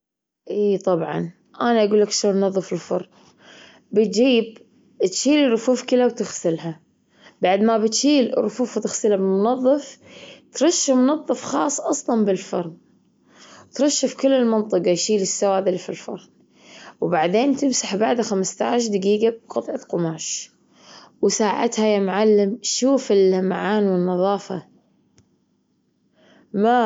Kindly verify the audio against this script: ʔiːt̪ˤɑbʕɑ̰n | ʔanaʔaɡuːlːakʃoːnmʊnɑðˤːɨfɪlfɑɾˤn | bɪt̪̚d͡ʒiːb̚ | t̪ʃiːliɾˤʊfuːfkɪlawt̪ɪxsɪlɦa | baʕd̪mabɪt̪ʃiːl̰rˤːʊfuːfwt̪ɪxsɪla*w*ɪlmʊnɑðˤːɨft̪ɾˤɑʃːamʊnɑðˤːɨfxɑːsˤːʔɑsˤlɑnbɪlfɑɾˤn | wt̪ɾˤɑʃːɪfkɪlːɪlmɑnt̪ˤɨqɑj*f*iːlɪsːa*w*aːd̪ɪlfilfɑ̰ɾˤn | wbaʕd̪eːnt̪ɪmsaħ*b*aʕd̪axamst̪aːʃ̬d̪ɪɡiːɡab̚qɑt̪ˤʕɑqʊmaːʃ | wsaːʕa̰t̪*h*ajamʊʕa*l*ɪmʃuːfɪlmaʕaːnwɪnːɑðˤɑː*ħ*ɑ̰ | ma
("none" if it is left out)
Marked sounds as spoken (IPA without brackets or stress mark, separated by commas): b, ʃ, w, b, h, lː, f